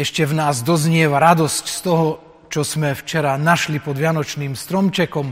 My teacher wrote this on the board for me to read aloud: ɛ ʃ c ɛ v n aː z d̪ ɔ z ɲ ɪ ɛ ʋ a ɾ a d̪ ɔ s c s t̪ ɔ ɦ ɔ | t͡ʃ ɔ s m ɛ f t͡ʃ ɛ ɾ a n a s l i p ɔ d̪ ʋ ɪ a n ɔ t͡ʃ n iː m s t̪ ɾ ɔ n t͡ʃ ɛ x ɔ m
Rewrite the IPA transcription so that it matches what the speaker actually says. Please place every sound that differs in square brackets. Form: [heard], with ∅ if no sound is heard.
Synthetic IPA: ɛ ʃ c ɛ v n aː z d̪ ɔ z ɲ ɪ ɛ ʋ a ɾ a d̪ ɔ s c s t̪ ɔ ɦ ɔ | t͡ʃ ɔ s m ɛ f t͡ʃ ɛ ɾ a n a [ʃ] l i p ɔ d̪ ʋ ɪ a n ɔ t͡ʃ n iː m s t̪ ɾ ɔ [m] t͡ʃ ɛ [k] ɔ m